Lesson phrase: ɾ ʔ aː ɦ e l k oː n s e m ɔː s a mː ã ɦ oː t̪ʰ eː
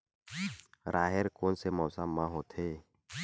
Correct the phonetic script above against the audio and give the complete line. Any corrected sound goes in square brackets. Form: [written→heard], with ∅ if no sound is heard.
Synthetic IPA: ɾ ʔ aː ɦ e [l→ɾ] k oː n s e m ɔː s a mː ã ɦ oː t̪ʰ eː